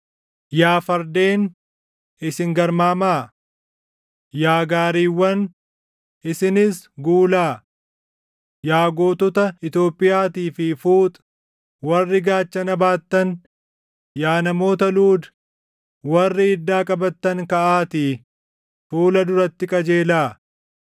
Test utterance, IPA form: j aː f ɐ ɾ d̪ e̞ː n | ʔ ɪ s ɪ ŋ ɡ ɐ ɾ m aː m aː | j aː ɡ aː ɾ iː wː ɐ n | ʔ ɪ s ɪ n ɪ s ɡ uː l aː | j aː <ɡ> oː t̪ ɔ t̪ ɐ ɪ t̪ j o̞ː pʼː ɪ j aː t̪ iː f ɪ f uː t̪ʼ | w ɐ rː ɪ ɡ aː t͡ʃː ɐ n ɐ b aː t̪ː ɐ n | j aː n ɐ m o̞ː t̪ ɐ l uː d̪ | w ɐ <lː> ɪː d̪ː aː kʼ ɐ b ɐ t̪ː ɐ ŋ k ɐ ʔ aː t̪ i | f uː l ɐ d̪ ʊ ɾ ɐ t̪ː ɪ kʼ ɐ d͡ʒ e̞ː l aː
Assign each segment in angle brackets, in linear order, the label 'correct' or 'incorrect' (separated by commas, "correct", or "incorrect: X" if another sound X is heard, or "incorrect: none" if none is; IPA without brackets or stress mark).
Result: correct, incorrect: rː